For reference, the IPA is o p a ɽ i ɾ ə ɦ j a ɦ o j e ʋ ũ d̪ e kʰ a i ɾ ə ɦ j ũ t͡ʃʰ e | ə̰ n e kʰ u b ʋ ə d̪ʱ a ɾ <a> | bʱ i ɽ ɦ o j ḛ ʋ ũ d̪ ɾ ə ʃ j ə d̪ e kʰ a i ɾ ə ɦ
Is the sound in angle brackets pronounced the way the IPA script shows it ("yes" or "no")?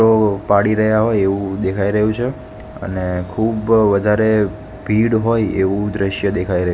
no